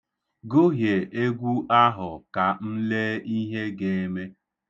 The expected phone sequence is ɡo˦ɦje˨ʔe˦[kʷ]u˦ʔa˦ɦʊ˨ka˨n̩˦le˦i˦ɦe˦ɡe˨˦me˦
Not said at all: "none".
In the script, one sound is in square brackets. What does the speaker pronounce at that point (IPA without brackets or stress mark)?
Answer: ɡʷ